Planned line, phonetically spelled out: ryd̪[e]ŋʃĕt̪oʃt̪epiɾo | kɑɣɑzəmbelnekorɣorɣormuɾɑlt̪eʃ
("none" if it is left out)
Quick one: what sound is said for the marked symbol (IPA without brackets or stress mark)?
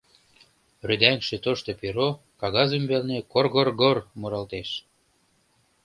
æ